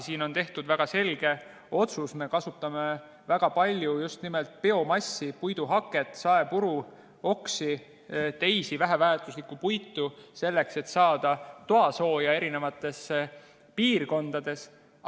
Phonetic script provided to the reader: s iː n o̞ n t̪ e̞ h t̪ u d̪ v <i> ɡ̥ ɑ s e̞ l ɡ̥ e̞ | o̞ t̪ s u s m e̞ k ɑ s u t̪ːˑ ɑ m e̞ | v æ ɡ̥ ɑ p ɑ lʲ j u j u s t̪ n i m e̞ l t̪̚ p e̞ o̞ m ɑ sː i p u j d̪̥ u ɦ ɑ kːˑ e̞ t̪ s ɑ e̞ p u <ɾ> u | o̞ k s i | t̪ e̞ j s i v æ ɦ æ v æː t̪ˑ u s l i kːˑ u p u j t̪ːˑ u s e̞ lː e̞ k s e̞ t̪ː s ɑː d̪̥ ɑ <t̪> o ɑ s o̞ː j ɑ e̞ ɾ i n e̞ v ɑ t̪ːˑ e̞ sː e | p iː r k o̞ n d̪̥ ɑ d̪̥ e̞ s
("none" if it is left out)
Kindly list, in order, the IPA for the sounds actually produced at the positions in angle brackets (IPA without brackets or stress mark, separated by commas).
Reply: æ, ɾ, t̪